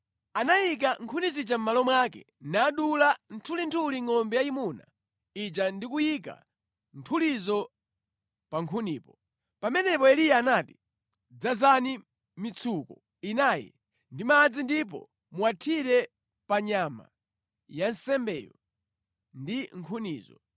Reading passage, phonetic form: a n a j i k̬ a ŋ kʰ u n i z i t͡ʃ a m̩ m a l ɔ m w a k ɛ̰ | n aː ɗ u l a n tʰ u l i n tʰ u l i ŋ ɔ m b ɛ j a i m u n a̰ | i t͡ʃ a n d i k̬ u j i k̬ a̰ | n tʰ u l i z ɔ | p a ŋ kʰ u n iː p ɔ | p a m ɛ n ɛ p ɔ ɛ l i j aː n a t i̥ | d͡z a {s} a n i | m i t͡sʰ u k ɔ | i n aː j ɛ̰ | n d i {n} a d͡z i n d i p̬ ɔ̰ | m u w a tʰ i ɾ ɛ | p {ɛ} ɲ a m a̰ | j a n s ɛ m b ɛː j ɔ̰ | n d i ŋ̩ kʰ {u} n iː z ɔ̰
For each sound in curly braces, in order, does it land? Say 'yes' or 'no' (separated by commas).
no, no, no, yes